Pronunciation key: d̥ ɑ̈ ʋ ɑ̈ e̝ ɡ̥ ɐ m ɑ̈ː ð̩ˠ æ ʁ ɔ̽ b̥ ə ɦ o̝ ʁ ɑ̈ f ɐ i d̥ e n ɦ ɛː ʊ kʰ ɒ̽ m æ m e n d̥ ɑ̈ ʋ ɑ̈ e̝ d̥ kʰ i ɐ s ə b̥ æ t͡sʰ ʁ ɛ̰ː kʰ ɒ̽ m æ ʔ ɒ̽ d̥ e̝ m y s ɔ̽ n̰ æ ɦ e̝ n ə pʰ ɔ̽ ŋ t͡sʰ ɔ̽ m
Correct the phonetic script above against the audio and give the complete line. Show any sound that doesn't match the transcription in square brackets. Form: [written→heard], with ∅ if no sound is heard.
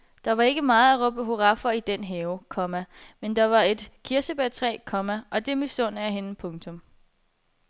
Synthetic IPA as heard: d̥ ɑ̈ ʋ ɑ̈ e̝ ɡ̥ [ɐ→ə] m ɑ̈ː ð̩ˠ æ ʁ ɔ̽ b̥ ə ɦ o̝ ʁ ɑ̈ f ɐ i d̥ e n ɦ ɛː ʊ kʰ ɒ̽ m æ m e n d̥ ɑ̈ ʋ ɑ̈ e̝ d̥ kʰ i ɐ s ə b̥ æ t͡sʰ ʁ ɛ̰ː kʰ ɒ̽ m æ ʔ ɒ̽ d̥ e̝ m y s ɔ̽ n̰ æ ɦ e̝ n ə pʰ ɔ̽ ŋ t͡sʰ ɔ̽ m